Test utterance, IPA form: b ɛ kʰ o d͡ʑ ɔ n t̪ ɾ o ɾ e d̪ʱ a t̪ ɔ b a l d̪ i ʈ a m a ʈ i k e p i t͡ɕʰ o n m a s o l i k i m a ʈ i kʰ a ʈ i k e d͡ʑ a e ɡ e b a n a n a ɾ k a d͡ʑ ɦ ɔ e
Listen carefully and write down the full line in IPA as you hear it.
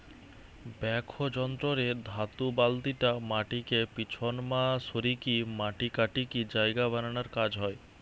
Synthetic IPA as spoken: b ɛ kʰ o d͡ʑ ɔ n t̪ ɾ o ɾ e d̪ʱ a t̪ u b a l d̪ i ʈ a m a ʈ i k e p i t͡ɕʰ o n m a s o ɾ i k i m a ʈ i k a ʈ i k i d͡ʑ a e ɡ a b a n a n a ɾ k a d͡ʑ ɦ ɔ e